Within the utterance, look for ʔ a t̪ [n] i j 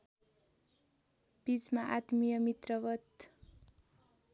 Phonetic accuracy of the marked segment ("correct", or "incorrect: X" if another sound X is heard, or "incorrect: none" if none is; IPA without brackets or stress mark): incorrect: m